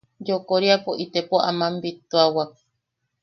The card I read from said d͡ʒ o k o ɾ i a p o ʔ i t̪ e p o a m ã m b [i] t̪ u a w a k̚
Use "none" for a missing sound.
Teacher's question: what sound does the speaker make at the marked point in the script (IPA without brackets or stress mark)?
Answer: i